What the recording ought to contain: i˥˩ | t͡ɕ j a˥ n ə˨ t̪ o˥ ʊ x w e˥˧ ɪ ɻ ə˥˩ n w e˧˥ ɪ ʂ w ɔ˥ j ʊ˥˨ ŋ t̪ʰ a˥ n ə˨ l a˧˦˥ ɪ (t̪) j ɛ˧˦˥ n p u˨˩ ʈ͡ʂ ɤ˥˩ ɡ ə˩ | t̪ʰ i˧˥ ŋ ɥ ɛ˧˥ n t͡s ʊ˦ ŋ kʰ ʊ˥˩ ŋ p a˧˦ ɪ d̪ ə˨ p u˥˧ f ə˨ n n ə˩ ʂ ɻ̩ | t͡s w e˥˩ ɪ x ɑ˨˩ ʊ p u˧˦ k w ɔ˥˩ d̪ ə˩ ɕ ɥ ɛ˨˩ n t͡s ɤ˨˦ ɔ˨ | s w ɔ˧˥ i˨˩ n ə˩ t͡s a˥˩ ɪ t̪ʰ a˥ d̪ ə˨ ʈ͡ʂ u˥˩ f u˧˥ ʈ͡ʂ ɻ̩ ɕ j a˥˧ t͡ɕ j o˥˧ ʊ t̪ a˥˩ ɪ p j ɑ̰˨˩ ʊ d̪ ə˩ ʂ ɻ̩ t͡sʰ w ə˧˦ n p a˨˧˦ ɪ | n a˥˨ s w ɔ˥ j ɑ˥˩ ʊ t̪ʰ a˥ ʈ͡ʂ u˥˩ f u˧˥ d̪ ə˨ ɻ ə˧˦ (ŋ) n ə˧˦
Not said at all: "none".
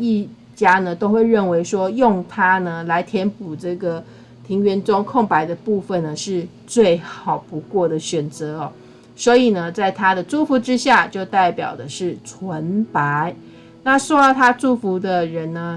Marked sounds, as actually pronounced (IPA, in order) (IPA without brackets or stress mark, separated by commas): t̪ʰ, n